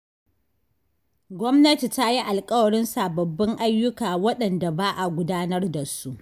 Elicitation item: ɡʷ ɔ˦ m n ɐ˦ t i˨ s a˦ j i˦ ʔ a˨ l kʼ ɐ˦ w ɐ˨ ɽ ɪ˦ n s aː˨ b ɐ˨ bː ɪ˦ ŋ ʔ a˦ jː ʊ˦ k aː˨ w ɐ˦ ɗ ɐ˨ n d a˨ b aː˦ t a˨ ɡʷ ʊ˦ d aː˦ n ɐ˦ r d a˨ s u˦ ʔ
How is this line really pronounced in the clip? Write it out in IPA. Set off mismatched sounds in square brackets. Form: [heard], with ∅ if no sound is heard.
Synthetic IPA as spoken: ɡʷ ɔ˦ m n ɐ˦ t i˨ [t] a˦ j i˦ ʔ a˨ l kʼ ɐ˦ w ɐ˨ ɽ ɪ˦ n s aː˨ b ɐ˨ bː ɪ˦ ŋ ʔ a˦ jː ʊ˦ k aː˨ w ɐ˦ ɗ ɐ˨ n d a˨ b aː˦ [ʔ] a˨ ɡʷ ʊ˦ d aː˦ n ɐ˦ r d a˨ s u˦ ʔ

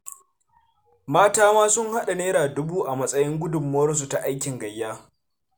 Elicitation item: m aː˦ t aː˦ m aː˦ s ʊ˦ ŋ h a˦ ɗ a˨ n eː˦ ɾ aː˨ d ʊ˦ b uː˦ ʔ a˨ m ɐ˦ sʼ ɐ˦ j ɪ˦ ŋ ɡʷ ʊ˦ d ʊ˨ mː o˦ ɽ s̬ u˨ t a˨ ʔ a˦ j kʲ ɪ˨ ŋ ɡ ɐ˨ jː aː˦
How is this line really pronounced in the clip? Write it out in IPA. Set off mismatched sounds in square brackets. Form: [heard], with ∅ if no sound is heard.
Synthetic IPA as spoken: m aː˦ t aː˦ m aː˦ s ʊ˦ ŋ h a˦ ɗ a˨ n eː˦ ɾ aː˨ d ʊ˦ b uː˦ ʔ a˨ m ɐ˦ sʼ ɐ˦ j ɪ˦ ŋ ɡʷ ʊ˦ d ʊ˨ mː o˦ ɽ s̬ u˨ t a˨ ʔ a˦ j kʲ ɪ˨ ŋ ɡ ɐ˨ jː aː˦

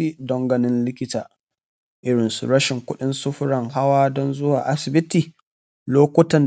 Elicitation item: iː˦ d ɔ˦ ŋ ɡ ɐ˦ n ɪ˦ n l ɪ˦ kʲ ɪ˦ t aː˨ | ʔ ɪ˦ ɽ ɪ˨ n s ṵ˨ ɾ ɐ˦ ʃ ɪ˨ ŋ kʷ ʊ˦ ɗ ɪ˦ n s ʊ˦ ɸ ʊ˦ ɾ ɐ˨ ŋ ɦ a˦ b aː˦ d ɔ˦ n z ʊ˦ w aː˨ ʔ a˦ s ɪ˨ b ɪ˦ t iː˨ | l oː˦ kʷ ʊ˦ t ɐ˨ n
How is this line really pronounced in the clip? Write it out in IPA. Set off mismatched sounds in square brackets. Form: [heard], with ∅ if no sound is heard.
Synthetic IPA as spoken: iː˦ d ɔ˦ ŋ ɡ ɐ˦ n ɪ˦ n l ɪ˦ kʲ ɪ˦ t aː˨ | ʔ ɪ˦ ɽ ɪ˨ n s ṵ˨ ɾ ɐ˦ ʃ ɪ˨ ŋ kʷ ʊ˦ ɗ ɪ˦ n s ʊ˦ ɸ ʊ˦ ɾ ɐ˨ ŋ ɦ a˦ [w] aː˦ d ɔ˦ n z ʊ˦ w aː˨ ʔ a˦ s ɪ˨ b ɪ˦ t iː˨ | l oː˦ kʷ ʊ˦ t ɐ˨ n

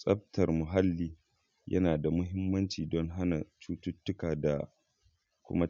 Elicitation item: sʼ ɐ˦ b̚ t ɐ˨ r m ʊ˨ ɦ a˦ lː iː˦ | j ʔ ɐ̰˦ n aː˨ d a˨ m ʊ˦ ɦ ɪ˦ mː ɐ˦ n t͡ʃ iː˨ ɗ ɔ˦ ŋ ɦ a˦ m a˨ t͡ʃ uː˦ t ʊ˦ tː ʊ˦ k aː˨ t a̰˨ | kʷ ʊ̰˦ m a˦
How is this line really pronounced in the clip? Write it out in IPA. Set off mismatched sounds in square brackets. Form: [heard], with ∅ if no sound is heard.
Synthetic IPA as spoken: sʼ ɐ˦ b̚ t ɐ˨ r m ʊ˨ ɦ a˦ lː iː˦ | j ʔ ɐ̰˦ n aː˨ d a˨ m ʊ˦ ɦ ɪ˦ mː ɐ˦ n t͡ʃ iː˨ [d] ɔ˦ ŋ ɦ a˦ [n] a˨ t͡ʃ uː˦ t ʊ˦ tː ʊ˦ k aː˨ [d] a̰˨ | kʷ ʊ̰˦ m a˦

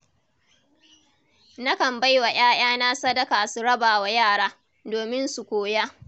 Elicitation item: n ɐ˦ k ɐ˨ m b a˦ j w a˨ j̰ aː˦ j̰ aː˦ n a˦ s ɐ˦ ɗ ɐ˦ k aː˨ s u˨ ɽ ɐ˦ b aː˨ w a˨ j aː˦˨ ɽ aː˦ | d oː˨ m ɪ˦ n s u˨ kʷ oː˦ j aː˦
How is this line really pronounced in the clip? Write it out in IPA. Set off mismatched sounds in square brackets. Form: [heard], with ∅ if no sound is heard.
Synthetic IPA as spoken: n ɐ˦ k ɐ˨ m b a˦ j w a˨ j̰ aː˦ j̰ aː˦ n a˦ s ɐ˦ [d] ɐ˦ k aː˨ s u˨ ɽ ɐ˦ b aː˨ w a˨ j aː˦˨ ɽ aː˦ | d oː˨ m ɪ˦ n s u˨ kʷ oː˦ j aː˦

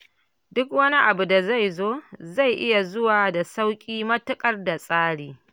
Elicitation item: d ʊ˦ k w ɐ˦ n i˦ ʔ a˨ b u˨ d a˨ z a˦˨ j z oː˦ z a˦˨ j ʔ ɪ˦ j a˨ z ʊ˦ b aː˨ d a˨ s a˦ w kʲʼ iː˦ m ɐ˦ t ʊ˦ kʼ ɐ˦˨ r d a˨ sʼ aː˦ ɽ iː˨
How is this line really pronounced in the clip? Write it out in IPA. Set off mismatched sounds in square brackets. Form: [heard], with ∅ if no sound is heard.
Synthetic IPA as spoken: d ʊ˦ k w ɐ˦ n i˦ ʔ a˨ b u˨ d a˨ z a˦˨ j z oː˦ z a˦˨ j ʔ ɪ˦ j a˨ z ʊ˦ [w] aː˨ d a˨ s a˦ w kʲʼ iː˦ m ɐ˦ t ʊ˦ kʼ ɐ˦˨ r d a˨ sʼ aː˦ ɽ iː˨

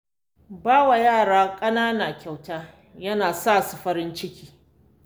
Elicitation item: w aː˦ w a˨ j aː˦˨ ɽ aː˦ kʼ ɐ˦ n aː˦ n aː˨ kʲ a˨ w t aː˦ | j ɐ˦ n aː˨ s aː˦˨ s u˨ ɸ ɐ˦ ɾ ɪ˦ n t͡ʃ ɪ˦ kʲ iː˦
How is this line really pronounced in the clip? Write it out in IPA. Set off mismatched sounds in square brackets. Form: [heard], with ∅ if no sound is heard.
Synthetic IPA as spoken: [b] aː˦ w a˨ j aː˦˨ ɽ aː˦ kʼ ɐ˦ n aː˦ n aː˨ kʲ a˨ w t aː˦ | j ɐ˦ n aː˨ s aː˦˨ s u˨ ɸ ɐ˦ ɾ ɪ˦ n t͡ʃ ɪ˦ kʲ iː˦

